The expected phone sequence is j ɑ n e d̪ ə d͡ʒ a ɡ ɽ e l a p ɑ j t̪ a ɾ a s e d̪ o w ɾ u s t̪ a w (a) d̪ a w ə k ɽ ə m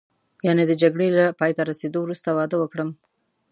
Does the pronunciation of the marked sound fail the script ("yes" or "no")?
yes